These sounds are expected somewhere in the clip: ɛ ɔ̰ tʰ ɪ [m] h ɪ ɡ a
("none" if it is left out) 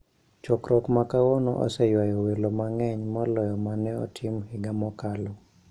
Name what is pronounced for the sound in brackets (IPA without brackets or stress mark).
m